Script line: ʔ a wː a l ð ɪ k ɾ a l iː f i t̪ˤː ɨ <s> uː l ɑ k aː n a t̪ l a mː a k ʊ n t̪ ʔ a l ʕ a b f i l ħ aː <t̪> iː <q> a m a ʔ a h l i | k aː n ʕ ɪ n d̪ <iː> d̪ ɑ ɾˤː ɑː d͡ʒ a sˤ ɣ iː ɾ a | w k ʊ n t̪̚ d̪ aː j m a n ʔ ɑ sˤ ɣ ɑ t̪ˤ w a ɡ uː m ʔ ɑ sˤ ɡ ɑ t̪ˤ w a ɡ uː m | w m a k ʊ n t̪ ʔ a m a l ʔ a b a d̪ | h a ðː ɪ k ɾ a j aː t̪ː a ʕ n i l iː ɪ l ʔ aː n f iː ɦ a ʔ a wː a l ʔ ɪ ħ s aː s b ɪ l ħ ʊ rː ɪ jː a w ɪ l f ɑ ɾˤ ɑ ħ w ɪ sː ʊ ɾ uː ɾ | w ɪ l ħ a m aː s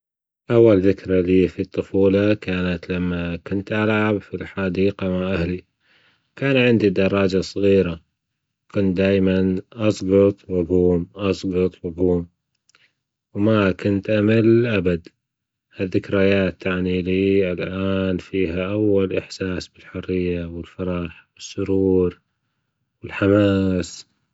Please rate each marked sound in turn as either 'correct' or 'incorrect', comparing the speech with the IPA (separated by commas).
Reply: incorrect, incorrect, correct, incorrect